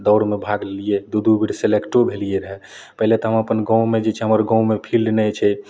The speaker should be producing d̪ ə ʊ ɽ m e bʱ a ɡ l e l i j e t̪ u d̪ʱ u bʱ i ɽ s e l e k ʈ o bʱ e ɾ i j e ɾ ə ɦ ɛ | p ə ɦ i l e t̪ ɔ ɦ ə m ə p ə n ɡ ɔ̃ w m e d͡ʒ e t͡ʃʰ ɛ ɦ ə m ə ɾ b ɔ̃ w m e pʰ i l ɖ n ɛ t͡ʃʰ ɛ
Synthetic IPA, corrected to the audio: d̪ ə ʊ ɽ m e bʱ a ɡ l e l i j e d̪ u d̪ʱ u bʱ i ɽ s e l e k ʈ o bʱ e l i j e ɾ ə ɦ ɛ | p ə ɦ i l e t̪ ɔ ɦ ə m ə p ə n ɡ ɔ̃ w m e d͡ʒ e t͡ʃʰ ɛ ɦ ə m ə ɾ ɡ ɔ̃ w m e pʰ i l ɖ n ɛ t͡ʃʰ ɛ